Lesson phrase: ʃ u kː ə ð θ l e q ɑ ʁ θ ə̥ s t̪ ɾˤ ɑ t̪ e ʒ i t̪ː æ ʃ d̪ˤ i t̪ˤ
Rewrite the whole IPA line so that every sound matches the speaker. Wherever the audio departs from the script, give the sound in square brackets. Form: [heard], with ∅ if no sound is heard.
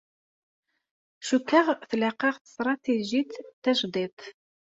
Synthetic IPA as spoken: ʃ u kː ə [ʁ] θ l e q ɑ ʁ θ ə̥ s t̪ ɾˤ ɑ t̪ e ʒ i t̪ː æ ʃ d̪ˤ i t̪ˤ